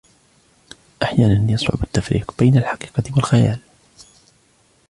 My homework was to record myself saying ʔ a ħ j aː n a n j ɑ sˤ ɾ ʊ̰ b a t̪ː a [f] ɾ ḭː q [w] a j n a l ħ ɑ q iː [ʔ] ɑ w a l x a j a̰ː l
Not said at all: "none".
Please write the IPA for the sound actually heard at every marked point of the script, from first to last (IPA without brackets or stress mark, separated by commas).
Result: f, b, q